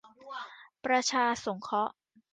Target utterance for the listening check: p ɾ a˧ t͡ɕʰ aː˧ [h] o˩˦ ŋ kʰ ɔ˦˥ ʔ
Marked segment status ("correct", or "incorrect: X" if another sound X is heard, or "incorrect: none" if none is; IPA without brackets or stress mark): incorrect: s